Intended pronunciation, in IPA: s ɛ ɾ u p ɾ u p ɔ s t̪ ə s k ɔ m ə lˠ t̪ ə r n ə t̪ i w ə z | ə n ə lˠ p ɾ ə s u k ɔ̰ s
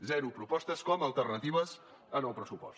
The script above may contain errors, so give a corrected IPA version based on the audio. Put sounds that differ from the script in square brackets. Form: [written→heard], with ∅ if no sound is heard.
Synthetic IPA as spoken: [s→z] ɛ ɾ u p ɾ u p ɔ s t̪ ə s k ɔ m ə lˠ t̪ ə r n ə t̪ i [w→β] ə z | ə n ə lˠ p ɾ ə s u [k→p] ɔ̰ s